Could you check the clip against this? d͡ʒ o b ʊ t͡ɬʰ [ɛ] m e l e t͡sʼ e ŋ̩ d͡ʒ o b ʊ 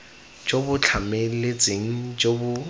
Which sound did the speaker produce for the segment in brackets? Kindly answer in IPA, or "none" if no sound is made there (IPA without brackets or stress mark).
a